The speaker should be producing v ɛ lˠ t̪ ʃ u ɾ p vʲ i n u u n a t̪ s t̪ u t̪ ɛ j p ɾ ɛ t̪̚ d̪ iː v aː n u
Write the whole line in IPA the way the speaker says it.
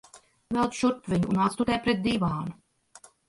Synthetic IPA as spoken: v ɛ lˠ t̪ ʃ u ɾ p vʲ i ɲ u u n a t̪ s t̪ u t̪ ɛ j p ɾ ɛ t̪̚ d̪ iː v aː n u